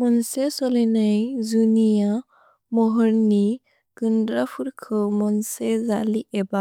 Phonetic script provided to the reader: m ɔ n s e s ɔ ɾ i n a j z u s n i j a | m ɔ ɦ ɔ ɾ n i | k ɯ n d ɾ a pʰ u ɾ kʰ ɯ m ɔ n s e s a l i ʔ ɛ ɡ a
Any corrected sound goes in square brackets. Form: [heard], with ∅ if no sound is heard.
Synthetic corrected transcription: m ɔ n s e s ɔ [l] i n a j z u [∅] n i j a | m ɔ ɦ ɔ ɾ n i | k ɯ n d ɾ a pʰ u ɾ kʰ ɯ m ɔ n s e [z] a l i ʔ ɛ [b] a